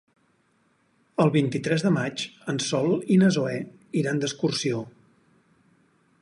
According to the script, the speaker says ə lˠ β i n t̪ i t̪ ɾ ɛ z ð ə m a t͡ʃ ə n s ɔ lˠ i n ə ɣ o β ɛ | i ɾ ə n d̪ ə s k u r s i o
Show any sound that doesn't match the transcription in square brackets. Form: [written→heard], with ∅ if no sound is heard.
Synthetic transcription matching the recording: ə lˠ β i n t̪ i t̪ ɾ ɛ z ð ə m a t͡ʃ ə n s ɔ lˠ i n ə [ɣ→z] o [β→∅] ɛ | i ɾ [ə→a] n d̪ ə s k u r s i o